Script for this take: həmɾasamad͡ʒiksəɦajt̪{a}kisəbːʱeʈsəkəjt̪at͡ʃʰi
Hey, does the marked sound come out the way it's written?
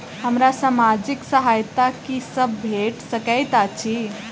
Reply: yes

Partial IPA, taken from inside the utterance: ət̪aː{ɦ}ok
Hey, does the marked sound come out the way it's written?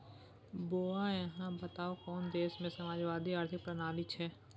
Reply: no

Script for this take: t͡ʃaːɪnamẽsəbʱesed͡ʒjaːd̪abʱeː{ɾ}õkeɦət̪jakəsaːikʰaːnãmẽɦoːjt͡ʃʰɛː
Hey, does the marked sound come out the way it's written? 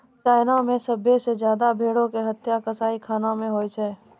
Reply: no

